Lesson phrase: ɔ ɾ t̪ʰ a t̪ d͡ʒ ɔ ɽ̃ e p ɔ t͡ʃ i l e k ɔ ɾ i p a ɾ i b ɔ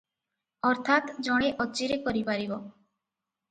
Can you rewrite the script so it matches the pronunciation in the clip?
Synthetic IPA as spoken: ɔ ɾ t̪ʰ a t̪ d͡ʒ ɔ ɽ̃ e ʔ ɔ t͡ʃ i ɾ e k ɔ ɾ i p a ɾ i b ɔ